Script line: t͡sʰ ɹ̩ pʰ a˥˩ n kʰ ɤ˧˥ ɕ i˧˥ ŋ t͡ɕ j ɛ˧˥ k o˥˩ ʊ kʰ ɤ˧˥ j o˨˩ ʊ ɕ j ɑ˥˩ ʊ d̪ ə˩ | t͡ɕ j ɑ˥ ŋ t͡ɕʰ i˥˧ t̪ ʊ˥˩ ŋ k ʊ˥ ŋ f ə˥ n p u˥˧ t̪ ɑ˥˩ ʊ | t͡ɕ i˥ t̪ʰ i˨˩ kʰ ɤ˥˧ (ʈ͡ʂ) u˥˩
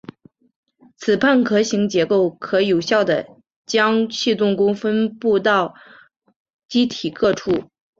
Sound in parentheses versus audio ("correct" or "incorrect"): incorrect